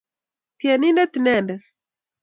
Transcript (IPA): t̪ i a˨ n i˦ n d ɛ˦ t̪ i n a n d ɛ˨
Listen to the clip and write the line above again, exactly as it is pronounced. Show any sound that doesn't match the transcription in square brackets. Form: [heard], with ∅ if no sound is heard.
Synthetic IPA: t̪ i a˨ n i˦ n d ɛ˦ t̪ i n [ɛ] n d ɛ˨